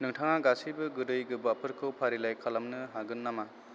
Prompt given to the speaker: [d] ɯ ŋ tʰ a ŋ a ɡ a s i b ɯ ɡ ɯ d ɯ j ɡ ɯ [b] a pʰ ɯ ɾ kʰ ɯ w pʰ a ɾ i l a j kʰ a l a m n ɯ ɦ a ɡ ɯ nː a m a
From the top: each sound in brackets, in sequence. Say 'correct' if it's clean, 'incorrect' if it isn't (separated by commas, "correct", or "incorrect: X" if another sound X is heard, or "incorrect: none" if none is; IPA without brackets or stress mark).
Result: incorrect: n, correct